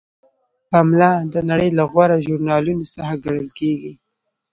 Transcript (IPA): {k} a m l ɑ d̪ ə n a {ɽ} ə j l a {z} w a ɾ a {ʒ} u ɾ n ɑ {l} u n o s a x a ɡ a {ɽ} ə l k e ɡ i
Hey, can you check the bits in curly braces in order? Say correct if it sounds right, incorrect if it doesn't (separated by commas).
incorrect, correct, incorrect, correct, correct, correct